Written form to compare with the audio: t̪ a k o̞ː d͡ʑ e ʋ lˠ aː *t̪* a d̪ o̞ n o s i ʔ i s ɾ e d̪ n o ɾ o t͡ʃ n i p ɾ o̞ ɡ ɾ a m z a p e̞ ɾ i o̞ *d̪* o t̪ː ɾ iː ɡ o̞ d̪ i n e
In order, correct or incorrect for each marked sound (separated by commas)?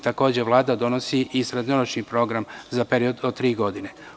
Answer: incorrect, correct